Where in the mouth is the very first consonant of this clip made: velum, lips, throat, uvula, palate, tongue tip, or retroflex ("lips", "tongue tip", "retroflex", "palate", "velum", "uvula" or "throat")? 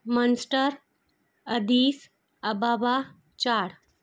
lips